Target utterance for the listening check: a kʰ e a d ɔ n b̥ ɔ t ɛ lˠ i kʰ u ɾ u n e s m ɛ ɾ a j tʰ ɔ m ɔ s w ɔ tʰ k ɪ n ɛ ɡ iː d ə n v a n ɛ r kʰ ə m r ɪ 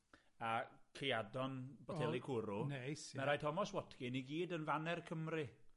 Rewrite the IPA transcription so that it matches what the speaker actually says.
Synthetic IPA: a kʰ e a d ɔ n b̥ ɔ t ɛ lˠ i kʰ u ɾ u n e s m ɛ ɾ a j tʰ ɔ m ɔ s w ɔ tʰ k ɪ n i ɡ iː d ə n v a n ɛ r kʰ ə m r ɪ